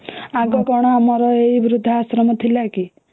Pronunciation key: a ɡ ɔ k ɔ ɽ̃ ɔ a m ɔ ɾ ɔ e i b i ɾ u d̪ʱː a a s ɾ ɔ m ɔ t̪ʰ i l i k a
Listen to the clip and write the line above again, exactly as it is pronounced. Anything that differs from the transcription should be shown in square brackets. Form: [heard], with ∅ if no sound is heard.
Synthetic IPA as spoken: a ɡ ɔ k ɔ ɽ̃ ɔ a m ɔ ɾ ɔ e i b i ɾ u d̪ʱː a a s ɾ ɔ m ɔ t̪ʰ i l [a] k [i]